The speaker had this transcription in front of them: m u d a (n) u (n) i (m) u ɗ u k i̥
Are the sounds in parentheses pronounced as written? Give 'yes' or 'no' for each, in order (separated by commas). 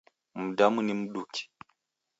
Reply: no, yes, yes